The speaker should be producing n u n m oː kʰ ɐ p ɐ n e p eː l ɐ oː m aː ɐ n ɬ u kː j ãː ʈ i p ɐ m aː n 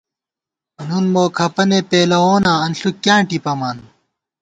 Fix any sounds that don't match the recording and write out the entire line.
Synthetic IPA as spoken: n u n m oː kʰ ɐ p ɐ n e p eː l ɐ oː n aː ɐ n ɬ u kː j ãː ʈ i p ɐ m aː n